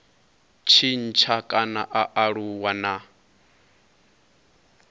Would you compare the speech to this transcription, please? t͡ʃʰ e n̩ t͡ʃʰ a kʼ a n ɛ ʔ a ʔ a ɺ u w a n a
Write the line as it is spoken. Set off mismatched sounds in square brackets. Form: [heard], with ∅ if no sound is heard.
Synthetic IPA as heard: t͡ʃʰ [i] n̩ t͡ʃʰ a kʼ a n [a] ʔ a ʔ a ɺ u w a n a